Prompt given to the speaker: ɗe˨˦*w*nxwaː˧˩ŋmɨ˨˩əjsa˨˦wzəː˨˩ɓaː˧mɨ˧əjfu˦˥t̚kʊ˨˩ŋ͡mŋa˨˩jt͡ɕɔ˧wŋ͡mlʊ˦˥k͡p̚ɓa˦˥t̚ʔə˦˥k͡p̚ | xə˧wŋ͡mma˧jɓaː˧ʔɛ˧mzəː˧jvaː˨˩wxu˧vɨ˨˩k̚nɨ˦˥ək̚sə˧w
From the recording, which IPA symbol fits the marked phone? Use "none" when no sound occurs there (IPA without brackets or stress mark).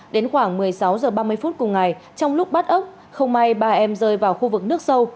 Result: none